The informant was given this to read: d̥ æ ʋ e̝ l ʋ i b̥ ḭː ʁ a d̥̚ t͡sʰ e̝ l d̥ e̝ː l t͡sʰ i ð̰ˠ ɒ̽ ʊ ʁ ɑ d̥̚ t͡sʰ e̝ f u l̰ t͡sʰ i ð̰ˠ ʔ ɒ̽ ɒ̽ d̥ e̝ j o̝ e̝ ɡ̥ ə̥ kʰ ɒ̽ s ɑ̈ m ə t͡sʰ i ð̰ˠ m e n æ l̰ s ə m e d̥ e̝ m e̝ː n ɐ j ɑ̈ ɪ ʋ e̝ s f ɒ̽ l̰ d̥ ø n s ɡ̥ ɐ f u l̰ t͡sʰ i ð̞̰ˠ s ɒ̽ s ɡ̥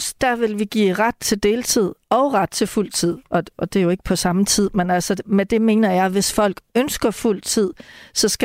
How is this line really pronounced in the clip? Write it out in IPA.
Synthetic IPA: d̥ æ ʋ e̝ l ʋ i ɡ̥ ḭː ʁ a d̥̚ t͡sʰ e̝ l d̥ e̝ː l t͡sʰ i ð̰ˠ ɒ̽ ʊ ʁ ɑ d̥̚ t͡sʰ e̝ f u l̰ t͡sʰ i ð̰ˠ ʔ ɒ̽ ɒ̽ d̥ e̝ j o̝ e̝ ɡ̥ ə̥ pʰ ɒ̽ s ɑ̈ m ə t͡sʰ i ð̰ˠ m e n æ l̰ s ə m e d̥ e̝ m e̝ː n ɐ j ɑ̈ ɪ ʋ e̝ s f ɒ̽ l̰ ɡ̥ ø n s ɡ̥ ɐ f u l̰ t͡sʰ i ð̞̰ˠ s ɒ̽ s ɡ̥